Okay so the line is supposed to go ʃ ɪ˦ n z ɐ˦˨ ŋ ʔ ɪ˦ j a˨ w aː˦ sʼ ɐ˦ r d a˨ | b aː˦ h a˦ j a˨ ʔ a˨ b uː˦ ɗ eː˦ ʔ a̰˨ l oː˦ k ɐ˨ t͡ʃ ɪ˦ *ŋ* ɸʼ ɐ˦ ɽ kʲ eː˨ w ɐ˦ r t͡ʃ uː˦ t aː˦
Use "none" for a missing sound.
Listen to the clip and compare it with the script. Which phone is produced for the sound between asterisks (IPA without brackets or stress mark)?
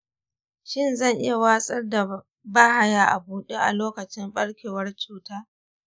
m